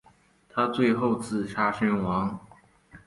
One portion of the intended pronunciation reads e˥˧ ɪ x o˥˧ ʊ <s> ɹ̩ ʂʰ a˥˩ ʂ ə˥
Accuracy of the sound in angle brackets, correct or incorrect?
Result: incorrect